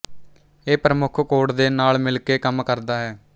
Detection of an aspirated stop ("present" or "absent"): present